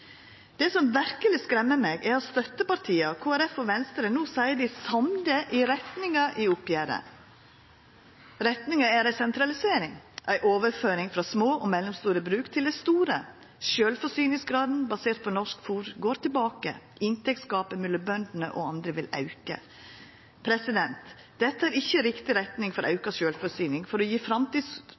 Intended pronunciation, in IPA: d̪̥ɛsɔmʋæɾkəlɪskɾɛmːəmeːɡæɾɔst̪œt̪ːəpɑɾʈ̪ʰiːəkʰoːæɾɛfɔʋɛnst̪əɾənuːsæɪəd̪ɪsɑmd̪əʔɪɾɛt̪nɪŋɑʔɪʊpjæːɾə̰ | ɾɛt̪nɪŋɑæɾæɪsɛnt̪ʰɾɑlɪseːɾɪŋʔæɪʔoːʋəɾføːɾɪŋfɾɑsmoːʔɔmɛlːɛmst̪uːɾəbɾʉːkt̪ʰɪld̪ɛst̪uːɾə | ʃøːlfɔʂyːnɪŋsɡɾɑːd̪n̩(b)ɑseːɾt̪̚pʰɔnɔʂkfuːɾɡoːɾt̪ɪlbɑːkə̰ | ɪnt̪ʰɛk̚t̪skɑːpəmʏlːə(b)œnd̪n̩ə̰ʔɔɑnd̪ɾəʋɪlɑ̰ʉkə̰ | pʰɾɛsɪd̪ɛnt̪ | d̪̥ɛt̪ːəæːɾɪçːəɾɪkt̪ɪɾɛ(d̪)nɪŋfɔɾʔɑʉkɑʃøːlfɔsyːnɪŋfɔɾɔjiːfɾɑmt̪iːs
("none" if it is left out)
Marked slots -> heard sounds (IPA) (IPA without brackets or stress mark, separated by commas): b, b, t̪